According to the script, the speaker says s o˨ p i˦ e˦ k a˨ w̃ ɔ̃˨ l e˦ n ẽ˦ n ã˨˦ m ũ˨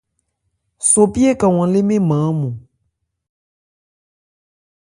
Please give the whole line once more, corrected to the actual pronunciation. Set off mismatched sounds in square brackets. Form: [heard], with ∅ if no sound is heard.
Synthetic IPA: s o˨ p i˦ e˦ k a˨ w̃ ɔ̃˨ l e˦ [m] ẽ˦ [m] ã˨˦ m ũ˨